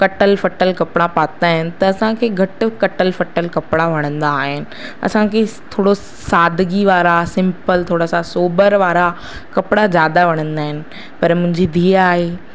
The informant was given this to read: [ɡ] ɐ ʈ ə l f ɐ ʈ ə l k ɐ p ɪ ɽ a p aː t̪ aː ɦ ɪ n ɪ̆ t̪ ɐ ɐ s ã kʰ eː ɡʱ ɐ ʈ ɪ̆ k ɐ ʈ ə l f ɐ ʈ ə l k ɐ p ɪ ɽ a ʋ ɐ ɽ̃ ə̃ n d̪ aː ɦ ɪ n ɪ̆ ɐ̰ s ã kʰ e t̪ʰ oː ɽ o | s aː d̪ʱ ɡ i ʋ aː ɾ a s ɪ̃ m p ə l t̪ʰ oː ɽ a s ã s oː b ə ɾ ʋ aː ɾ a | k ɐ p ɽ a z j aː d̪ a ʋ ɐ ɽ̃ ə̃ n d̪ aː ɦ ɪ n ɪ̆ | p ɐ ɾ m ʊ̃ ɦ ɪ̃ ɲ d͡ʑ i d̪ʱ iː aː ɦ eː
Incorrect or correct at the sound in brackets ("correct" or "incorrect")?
incorrect